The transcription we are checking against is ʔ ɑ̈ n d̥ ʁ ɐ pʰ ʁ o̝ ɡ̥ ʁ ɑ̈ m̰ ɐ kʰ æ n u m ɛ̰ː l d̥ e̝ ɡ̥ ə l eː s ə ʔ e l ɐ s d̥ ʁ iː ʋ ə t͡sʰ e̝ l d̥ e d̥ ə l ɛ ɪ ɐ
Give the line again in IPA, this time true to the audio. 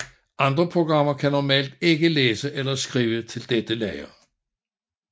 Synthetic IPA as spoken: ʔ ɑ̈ n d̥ ʁ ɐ pʰ ʁ o̝ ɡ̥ ʁ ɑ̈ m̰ ɐ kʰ æ n ɒ m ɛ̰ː l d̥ e̝ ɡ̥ ə l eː s ə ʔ e l ɐ s ɡ̥ ʁ iː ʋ ə t͡sʰ e̝ l d̥ e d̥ ə l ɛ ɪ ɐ